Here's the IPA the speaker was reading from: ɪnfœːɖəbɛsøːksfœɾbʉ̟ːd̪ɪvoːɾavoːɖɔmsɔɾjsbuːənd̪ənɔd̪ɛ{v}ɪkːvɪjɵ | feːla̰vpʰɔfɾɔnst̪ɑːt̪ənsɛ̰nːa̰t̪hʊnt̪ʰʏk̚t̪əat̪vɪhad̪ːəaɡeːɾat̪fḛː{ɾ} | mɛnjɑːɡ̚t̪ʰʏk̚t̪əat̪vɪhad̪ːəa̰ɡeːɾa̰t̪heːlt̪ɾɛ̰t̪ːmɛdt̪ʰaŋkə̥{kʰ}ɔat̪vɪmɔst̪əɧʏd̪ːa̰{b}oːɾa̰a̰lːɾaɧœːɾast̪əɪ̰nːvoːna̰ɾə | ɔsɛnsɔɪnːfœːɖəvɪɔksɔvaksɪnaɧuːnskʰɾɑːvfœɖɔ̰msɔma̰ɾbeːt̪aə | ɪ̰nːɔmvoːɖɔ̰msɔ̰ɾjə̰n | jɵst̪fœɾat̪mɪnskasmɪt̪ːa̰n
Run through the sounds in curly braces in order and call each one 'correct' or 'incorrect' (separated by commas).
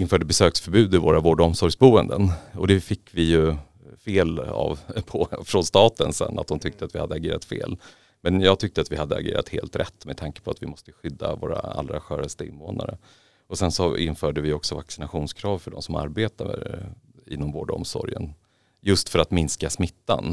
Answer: incorrect, incorrect, incorrect, incorrect